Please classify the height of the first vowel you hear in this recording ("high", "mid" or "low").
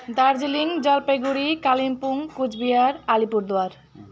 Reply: low